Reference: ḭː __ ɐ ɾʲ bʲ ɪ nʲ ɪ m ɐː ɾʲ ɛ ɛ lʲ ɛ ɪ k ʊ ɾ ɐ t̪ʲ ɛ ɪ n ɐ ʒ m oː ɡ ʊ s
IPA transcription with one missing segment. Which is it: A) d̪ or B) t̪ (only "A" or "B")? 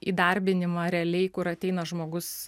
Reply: A